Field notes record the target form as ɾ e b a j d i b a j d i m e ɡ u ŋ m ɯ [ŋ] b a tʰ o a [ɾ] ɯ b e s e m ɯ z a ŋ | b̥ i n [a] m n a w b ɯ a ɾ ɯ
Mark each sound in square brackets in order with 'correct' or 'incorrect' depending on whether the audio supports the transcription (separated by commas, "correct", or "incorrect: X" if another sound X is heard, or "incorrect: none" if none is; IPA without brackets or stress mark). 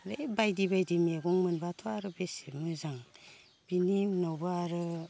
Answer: incorrect: n, correct, incorrect: i